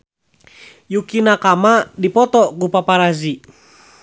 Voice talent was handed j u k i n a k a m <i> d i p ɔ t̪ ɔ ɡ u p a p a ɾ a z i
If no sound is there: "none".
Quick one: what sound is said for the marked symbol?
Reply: a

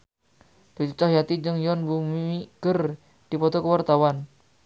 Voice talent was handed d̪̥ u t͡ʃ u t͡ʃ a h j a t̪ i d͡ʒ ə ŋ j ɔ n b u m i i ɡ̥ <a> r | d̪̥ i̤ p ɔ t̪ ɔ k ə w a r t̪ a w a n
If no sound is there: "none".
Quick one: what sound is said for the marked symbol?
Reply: ə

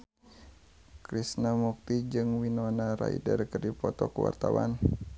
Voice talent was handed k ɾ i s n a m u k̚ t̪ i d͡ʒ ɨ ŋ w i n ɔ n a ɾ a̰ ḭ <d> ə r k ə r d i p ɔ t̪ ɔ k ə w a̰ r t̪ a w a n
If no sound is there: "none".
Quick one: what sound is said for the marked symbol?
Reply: d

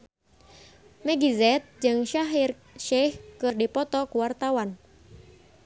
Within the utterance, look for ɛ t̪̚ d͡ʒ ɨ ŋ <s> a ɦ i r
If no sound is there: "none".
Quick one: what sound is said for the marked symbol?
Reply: ʃ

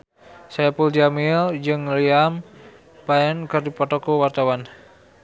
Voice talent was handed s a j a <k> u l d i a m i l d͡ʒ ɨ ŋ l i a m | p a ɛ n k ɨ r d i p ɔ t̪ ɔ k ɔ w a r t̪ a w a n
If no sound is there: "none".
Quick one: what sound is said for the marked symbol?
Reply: p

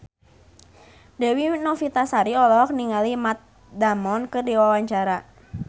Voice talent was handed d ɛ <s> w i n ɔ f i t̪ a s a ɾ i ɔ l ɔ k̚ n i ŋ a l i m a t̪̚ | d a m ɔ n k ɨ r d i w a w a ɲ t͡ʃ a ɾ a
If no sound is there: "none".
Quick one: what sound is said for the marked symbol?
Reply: none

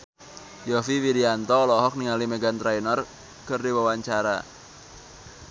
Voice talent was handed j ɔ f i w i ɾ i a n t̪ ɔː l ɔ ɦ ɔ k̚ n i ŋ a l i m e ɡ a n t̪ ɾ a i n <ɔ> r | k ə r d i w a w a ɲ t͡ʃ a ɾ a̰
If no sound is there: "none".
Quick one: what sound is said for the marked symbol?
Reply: ɔ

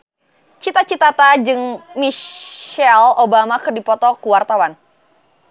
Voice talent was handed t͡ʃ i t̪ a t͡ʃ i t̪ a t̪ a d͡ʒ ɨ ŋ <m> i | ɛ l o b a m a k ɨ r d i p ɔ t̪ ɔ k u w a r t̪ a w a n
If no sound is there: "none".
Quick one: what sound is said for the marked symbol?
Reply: m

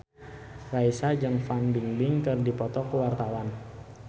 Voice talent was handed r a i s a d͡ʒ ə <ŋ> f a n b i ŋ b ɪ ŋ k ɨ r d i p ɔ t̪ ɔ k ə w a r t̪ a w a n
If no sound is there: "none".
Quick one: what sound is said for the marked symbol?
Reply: ŋ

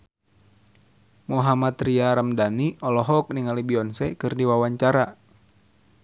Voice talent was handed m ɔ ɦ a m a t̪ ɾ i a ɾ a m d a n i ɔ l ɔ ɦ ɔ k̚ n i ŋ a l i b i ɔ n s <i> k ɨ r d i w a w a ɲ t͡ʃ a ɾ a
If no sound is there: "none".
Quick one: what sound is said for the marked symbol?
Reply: ɛ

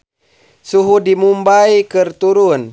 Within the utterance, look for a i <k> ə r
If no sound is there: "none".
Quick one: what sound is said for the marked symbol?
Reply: k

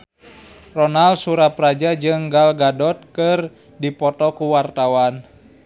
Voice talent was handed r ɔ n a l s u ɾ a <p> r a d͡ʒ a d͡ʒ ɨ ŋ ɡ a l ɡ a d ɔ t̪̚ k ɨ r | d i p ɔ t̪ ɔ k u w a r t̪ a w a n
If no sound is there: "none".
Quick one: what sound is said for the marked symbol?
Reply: p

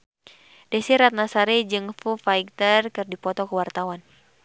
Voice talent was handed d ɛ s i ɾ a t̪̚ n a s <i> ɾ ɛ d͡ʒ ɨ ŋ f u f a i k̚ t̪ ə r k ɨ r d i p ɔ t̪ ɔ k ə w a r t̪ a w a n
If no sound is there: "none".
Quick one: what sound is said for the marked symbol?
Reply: a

